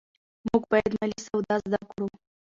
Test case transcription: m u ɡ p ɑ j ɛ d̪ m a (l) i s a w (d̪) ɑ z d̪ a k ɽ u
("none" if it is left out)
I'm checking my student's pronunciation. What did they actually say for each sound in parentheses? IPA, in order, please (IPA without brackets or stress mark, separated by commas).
l, d̪